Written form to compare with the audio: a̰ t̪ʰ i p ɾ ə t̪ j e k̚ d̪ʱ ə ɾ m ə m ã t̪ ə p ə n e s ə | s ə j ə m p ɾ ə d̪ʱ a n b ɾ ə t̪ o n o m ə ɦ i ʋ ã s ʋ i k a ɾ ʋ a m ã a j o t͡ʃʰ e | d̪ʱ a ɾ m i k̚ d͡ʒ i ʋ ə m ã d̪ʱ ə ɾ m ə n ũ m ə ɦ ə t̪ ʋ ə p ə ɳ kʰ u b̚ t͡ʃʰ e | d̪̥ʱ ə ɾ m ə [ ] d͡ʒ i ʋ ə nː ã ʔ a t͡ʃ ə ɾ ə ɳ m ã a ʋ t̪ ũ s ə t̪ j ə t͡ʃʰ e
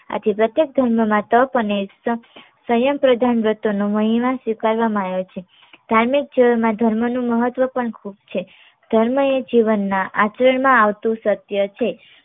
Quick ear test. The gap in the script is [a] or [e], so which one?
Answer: e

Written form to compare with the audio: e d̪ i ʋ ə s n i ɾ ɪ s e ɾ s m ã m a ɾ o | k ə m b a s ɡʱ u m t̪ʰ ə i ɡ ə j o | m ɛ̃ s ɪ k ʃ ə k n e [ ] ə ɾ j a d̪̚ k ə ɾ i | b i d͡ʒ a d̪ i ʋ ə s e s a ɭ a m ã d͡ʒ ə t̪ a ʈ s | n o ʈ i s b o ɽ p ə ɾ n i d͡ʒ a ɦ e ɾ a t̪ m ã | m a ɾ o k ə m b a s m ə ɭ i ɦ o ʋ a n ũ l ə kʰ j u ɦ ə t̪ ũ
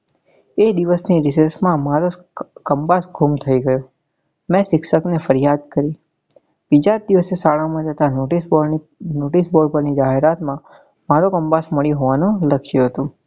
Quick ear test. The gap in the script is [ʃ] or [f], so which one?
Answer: f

